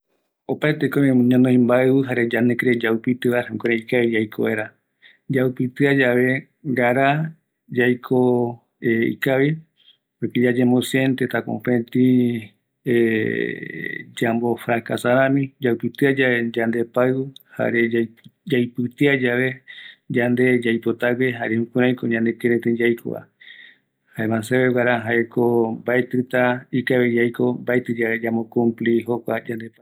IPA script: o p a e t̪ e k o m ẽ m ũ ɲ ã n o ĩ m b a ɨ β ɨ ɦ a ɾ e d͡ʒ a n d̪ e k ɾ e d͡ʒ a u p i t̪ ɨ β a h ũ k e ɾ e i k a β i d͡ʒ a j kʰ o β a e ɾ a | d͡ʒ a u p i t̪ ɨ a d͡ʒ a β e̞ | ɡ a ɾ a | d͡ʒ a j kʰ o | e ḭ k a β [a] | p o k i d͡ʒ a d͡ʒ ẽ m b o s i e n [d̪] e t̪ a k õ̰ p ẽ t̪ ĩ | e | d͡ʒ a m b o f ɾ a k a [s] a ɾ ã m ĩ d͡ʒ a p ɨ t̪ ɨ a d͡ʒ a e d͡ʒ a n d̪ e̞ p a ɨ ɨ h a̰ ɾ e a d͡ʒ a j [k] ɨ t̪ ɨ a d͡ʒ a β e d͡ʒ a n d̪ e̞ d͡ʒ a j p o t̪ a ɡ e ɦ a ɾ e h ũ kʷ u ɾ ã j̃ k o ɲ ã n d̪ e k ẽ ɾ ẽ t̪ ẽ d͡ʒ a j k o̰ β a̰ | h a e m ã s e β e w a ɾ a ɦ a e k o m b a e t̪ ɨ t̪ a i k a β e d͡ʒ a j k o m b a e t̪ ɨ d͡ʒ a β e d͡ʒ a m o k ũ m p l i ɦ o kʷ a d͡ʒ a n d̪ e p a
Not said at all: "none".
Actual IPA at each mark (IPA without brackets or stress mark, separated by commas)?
i, t̪, s, p